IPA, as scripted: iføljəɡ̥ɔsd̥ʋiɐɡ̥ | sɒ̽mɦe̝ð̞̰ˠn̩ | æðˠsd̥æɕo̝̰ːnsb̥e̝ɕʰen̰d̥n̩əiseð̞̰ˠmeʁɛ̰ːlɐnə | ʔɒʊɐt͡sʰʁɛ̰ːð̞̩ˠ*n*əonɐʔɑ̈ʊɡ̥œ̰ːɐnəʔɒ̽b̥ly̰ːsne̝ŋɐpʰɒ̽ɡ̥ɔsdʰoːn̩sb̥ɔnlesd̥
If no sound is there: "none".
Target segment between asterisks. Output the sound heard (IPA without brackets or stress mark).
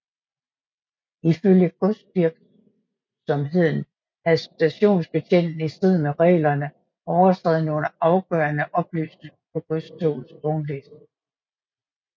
n